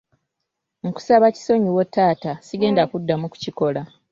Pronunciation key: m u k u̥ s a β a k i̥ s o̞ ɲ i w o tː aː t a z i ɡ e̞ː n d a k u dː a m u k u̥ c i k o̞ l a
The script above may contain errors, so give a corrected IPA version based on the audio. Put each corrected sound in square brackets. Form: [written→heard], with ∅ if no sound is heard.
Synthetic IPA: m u k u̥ s a β a [k→c] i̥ s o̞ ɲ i w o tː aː t a [z→s] i ɡ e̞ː n d a k u dː a m u k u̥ c i k o̞ l a